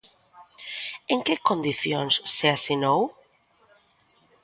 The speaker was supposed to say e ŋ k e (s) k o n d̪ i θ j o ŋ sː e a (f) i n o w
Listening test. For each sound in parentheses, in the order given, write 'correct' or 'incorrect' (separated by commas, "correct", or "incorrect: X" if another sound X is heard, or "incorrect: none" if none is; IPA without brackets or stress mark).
incorrect: none, incorrect: s